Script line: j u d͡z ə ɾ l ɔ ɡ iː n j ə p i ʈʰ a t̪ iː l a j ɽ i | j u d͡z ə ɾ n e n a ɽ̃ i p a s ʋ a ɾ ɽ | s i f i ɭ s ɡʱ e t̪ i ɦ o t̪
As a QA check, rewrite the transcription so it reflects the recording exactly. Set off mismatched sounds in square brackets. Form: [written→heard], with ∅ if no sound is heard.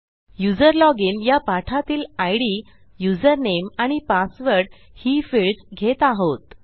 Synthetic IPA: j u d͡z ə ɾ l ɔ ɡ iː n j [ə→a] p [i→a] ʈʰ a t̪ iː l a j ɽ i | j u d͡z ə ɾ n e [n→m] a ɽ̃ i p a s ʋ [a→ə] ɾ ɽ | [s→h] i f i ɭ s ɡʱ e t̪ [i→a] ɦ o t̪